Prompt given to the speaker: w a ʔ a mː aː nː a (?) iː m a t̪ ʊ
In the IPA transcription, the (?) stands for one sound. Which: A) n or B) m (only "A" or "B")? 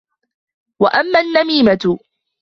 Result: B